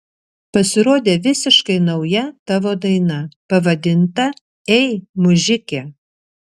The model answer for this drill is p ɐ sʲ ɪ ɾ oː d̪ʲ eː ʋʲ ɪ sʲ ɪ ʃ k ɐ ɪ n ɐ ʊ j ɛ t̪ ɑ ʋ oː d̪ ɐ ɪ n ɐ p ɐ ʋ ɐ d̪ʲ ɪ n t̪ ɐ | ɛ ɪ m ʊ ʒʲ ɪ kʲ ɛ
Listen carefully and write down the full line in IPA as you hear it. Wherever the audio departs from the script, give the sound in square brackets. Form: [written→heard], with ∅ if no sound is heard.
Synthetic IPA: p ɐ sʲ ɪ ɾ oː d̪ʲ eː ʋʲ ɪ sʲ ɪ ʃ k ɐ ɪ n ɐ ʊ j ɛ t̪ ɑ ʋ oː d̪ ɐ ɪ n ɐ p ɐ ʋ ɐ d̪ʲ ɪ n t̪ ɐ | ɛ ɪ m ʊ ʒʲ ɪ kʲ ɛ